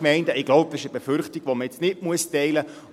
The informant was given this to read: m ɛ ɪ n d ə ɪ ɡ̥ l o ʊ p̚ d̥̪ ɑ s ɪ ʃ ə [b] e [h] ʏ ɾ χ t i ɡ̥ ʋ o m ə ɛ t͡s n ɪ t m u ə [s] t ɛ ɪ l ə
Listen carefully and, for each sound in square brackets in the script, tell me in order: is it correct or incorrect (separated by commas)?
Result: correct, incorrect, correct